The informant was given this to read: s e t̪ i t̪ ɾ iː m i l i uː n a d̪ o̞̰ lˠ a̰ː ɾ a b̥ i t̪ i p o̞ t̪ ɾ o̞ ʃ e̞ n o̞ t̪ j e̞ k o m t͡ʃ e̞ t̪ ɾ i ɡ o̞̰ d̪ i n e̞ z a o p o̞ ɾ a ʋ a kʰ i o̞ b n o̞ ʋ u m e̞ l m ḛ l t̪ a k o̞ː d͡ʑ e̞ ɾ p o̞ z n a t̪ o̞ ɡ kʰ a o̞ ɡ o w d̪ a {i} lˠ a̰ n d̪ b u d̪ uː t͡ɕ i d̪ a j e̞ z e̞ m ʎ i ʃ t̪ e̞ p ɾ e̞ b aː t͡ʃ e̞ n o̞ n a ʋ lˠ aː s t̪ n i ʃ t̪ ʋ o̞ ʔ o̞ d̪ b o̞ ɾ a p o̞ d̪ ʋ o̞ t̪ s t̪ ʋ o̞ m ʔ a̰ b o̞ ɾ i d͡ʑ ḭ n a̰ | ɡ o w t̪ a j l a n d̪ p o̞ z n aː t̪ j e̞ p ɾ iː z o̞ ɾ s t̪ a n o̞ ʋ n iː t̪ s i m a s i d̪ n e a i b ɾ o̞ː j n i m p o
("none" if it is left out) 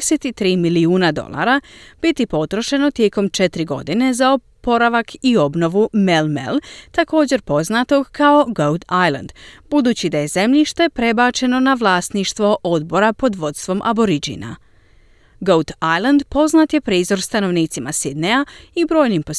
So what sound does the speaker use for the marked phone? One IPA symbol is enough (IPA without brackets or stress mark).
j